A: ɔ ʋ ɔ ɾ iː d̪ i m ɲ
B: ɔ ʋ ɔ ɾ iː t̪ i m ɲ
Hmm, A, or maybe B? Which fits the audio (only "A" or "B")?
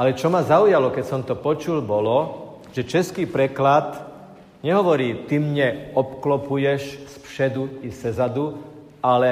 B